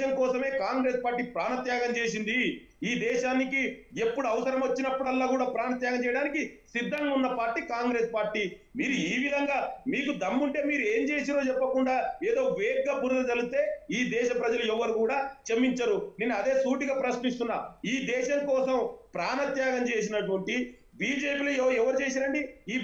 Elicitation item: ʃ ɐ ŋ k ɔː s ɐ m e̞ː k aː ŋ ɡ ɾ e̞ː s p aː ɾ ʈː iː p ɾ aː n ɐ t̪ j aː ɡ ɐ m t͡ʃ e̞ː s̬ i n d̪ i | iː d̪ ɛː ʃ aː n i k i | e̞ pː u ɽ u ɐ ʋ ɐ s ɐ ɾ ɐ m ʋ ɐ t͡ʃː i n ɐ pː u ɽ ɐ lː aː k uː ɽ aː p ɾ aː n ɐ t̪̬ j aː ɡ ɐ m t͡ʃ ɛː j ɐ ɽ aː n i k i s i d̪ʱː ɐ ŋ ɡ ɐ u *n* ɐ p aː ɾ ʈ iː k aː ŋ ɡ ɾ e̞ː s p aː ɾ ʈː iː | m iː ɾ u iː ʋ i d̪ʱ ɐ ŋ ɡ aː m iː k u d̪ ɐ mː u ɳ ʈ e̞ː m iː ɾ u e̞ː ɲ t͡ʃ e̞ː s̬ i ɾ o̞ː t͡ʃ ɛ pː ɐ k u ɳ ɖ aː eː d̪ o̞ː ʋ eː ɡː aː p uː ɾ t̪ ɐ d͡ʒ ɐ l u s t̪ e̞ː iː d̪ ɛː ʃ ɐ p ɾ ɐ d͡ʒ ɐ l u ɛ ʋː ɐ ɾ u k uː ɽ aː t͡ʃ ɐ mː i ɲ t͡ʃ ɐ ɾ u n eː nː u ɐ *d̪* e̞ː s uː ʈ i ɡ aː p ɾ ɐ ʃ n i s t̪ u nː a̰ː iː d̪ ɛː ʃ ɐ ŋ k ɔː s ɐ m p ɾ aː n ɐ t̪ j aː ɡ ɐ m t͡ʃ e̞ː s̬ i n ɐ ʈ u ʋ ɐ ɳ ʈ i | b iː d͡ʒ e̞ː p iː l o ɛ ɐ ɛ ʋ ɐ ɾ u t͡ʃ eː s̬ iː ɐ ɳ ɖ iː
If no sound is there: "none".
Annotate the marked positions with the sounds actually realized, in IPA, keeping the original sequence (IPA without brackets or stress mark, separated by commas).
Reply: nː, d̪